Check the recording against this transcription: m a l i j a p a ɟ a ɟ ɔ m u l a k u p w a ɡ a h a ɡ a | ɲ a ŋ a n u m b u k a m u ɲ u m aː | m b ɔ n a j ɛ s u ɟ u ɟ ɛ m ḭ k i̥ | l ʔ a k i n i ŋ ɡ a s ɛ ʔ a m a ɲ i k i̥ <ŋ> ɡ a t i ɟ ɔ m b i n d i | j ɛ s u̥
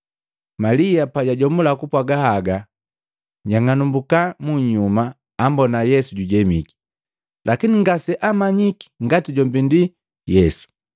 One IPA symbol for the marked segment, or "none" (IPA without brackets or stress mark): ŋ